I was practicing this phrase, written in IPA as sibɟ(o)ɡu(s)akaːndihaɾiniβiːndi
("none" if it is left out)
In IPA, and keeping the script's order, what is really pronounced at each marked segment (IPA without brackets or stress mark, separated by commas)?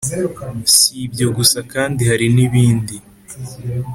o, s